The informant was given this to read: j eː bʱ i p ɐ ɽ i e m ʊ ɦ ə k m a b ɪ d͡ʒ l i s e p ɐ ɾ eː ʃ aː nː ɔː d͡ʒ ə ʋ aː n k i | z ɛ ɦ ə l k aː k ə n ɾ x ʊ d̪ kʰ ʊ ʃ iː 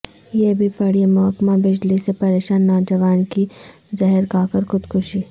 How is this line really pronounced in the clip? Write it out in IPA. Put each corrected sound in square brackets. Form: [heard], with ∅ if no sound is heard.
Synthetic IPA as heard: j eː bʱ i p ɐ ɽ i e m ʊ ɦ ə k m a b ɪ d͡ʒ l i s e p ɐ ɾ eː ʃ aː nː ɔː d͡ʒ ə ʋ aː n k i | z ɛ ɦ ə [ɾ] k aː k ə [∅] ɾ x ʊ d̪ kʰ ʊ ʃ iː